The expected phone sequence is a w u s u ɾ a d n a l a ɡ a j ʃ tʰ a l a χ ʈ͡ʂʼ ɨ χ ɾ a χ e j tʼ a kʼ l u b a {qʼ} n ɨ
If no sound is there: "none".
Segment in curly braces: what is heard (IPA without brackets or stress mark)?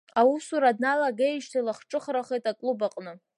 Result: qʼ